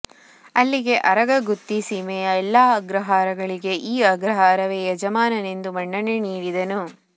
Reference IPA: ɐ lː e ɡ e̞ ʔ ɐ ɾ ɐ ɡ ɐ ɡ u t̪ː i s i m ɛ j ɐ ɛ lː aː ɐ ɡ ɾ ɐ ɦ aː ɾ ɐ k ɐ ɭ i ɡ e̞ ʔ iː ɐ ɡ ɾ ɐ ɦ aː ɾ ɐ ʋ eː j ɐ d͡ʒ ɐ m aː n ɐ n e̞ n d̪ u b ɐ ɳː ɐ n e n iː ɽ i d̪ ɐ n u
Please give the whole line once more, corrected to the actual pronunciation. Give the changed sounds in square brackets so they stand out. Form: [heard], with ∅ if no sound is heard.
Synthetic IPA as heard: ɐ lː [i] ɡ e̞ ʔ ɐ ɾ ɐ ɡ ɐ ɡ u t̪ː i s i m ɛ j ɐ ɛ lː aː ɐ ɡ ɾ ɐ ɦ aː ɾ ɐ [ɡ] ɐ ɭ i ɡ e̞ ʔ iː ɐ ɡ ɾ ɐ ɦ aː ɾ ɐ ʋ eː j ɐ d͡ʒ ɐ m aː n ɐ n e̞ n d̪ u [m] ɐ ɳː ɐ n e n iː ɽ i d̪ ɐ n u